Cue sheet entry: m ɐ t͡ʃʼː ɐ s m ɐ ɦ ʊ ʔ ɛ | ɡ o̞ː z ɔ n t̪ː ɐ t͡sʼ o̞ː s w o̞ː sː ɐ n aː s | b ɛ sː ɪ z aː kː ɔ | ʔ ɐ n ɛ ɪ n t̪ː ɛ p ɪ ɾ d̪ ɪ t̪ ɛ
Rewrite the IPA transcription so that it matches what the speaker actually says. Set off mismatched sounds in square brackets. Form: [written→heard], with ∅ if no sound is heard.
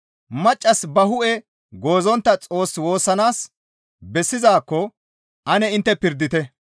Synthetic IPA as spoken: m ɐ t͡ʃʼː ɐ s [m→b] ɐ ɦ ʊ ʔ ɛ | ɡ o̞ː z ɔ n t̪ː ɐ t͡sʼ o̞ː s w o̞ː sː ɐ n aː s | b ɛ sː ɪ z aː kː ɔ | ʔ ɐ n ɛ ɪ n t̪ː ɛ p ɪ ɾ d̪ ɪ t̪ ɛ